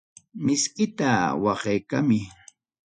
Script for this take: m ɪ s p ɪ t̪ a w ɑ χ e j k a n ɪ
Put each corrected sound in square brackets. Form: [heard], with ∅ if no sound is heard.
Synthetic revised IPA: m ɪ s [k] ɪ t̪ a w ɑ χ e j k a [m] ɪ

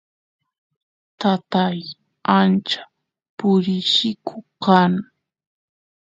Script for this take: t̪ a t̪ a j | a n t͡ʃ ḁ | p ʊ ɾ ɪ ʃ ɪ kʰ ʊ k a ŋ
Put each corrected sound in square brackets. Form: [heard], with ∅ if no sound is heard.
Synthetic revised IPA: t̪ a t̪ a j | a n t͡ʃ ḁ | p ʊ ɾ ɪ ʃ ɪ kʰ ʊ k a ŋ

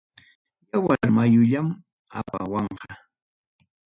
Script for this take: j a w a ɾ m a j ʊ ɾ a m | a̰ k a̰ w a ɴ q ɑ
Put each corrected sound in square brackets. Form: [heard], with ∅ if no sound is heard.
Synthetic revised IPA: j a w a ɾ m a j ʊ [ʎ] a m | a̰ [p] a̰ w [ɑ] ɴ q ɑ

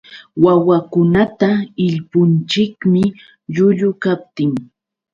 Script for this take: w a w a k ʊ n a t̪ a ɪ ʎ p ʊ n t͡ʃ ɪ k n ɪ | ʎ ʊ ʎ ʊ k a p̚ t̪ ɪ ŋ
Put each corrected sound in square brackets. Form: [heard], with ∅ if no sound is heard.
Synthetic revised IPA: w a w a k ʊ n a t̪ a ɪ ʎ p ʊ n t͡ʃ ɪ k [m] ɪ | ʎ ʊ ʎ ʊ k a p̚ t̪ ɪ ŋ

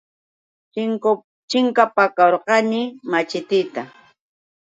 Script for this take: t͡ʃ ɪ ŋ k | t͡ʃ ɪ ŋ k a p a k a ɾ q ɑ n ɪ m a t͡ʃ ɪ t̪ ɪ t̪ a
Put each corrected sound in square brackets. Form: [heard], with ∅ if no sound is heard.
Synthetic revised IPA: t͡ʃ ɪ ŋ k | t͡ʃ ɪ ŋ k a p a k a ɾ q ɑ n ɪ m a t͡ʃ ɪ t̪ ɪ t̪ a

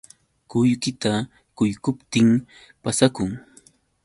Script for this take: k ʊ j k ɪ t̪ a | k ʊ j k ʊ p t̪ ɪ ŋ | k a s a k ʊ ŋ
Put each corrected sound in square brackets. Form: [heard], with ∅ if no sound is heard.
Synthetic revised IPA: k ʊ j k ɪ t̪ a | k ʊ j k ʊ p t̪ ɪ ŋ | [p] a s a k ʊ ŋ

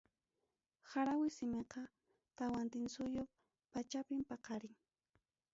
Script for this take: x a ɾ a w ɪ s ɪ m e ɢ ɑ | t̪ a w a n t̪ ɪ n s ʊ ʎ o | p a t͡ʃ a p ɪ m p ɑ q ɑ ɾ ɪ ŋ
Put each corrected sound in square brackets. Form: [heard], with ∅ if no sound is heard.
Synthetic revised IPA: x a ɾ a w ɪ s ɪ m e [q] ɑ | t̪ a w a n t̪ ɪ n s ʊ [j] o | p a t͡ʃ a p ɪ m p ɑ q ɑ ɾ ɪ ŋ

